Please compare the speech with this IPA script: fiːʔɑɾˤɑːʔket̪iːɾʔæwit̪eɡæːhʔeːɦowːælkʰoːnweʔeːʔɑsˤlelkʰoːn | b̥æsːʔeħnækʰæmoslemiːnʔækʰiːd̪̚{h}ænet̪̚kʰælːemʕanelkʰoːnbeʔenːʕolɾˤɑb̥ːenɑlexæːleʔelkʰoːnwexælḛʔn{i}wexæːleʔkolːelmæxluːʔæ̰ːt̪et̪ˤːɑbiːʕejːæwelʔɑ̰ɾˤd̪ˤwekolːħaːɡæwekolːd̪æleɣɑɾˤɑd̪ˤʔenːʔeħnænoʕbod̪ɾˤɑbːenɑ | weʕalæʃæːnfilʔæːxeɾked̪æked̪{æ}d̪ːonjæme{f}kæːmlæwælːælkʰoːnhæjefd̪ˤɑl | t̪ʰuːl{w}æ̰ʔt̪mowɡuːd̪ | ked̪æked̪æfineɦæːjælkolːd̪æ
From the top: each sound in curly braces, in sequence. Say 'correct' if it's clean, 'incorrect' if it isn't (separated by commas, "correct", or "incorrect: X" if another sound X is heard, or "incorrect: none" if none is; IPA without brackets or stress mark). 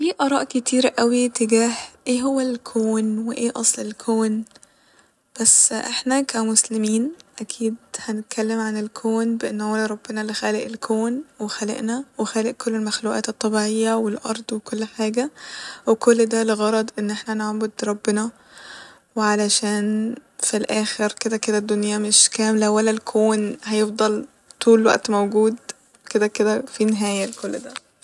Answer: correct, incorrect: æ, correct, incorrect: ʃ, correct